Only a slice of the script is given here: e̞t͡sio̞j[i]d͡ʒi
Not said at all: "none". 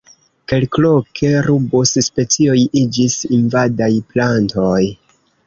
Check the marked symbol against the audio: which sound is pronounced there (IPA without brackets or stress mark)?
i